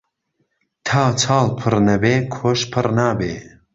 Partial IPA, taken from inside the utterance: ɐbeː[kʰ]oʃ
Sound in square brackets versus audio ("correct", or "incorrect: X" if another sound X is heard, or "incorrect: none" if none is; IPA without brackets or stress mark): correct